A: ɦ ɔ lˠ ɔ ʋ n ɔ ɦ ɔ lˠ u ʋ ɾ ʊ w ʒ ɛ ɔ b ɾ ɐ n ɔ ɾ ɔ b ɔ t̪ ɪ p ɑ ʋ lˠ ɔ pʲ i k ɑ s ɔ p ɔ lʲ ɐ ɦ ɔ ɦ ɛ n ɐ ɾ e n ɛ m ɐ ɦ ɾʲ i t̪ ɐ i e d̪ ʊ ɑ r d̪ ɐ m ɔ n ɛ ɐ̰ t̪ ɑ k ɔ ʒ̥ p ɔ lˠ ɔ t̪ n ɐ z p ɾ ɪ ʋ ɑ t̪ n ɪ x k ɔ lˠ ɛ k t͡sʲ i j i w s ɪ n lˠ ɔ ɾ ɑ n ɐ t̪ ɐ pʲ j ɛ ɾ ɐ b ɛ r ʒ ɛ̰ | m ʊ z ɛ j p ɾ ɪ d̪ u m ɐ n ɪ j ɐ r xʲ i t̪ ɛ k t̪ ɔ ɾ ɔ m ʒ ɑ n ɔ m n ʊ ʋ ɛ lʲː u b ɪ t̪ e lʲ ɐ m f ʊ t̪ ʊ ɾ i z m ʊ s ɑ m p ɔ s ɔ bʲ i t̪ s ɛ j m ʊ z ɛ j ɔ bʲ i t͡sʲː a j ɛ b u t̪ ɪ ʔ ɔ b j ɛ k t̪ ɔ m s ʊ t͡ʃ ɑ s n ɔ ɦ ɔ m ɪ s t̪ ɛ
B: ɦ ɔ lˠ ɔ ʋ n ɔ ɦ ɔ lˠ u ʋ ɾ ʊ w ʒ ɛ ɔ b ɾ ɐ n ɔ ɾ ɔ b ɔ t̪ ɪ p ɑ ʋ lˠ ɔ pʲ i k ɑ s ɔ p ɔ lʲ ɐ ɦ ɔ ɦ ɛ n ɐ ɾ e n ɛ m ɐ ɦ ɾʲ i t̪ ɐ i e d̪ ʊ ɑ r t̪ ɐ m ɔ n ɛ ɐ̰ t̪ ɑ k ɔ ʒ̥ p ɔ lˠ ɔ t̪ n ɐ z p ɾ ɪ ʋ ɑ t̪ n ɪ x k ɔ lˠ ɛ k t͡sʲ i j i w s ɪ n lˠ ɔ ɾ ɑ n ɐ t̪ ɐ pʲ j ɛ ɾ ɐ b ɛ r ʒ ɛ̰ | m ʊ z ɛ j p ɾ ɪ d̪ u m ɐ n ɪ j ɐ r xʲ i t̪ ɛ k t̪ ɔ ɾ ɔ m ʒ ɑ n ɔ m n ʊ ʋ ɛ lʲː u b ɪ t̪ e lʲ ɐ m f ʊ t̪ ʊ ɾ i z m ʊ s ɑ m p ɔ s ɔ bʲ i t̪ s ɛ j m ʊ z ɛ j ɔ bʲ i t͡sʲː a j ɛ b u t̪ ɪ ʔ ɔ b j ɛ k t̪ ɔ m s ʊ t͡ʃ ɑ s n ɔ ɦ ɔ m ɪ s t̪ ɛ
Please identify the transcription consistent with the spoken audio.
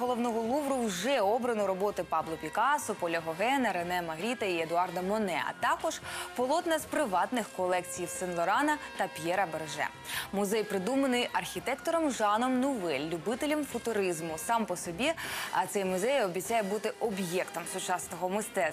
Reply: A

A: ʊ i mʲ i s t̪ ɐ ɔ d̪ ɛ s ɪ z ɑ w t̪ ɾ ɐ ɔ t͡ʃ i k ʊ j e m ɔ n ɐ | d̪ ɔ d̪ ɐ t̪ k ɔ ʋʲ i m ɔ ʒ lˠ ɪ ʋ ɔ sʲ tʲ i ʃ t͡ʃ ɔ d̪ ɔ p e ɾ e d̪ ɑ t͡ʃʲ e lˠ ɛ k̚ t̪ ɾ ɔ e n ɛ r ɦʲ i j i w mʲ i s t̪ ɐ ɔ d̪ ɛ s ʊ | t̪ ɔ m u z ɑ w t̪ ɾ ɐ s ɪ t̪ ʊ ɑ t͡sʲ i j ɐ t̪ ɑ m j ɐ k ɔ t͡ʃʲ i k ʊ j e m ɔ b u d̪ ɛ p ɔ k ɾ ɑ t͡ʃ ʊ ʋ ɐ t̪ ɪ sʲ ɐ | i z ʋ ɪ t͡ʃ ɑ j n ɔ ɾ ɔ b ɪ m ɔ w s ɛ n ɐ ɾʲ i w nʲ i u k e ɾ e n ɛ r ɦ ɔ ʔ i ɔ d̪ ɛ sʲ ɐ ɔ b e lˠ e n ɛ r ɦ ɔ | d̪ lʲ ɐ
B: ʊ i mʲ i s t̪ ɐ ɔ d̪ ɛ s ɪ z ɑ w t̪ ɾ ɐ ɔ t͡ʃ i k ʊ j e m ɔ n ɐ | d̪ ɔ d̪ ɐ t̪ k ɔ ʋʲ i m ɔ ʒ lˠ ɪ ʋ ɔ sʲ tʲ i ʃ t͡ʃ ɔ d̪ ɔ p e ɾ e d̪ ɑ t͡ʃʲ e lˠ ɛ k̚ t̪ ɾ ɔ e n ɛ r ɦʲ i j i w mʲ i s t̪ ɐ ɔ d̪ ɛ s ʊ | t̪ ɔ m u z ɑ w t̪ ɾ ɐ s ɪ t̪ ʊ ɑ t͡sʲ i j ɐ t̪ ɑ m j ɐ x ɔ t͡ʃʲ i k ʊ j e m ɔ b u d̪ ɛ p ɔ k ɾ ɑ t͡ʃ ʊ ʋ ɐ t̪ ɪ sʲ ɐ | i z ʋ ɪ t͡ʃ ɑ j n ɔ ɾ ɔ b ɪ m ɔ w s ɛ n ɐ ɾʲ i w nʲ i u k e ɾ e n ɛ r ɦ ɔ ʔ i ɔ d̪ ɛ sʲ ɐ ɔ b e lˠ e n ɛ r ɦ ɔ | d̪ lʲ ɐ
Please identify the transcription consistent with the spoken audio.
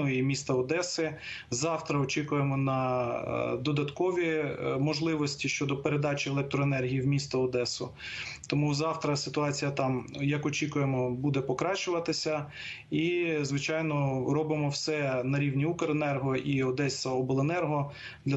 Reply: A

